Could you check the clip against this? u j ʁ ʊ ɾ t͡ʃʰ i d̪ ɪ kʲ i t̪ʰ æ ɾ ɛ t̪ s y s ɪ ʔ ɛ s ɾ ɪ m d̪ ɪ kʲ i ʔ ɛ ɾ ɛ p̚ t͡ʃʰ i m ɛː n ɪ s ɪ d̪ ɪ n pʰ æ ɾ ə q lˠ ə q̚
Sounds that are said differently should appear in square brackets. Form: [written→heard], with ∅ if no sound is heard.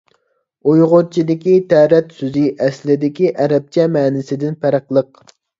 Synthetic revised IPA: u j ʁ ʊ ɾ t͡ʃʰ i d̪ ɪ kʲ i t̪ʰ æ ɾ ɛ t̪ s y [s→z] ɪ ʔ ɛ s [ɾ→l] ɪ [m→∅] d̪ ɪ kʲ i ʔ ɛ ɾ ɛ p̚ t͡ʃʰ [i→ɛ] m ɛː n ɪ s ɪ d̪ ɪ n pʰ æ ɾ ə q lˠ ə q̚